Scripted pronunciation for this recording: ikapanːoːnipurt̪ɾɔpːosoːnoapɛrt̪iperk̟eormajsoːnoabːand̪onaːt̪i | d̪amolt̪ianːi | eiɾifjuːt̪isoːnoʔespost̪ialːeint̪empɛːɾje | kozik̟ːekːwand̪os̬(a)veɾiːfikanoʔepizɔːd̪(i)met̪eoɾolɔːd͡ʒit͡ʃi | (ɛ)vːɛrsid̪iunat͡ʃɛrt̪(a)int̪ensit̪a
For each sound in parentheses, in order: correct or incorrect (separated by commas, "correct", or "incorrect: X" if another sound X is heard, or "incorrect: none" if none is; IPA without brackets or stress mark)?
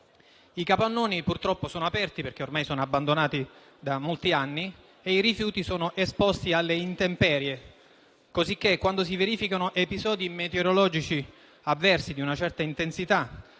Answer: incorrect: i, correct, incorrect: a, correct